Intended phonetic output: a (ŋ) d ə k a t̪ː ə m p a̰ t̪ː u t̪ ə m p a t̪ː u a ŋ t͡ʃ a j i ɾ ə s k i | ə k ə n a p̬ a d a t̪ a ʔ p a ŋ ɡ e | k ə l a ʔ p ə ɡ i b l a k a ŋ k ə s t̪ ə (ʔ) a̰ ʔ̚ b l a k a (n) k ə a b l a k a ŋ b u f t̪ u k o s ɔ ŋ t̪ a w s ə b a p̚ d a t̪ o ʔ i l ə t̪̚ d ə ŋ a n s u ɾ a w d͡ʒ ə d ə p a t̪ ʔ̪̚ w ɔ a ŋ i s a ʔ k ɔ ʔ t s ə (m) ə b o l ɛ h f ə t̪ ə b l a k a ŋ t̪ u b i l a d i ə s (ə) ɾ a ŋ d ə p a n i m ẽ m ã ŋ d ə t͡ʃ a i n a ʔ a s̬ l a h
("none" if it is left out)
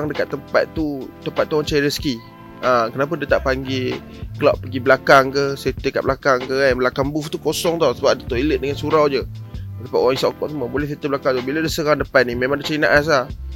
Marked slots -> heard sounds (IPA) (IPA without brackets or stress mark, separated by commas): ŋ, k, ŋ, m, ə